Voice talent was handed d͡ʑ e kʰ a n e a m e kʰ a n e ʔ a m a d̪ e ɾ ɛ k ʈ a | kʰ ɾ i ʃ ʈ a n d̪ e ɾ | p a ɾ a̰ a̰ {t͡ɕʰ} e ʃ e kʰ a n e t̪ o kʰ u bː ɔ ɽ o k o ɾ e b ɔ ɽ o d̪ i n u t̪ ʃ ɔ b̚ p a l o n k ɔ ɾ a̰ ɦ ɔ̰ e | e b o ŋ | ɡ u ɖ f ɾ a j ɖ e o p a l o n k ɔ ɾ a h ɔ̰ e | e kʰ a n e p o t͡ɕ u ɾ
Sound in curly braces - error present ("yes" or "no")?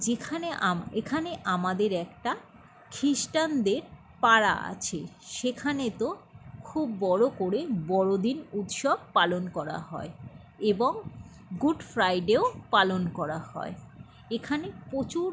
no